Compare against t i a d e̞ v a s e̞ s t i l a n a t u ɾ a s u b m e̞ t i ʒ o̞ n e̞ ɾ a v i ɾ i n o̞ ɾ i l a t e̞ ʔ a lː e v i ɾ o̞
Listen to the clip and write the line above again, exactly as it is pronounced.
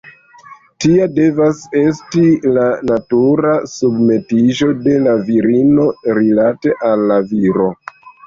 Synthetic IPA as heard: t i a d e̞ v a s e̞ s t i l a n a t u ɾ a s u b m e̞ t i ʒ o̞ d e̞ l a v i ɾ i n o̞ ɾ i l a t e̞ ʔ a lː a v i ɾ o̞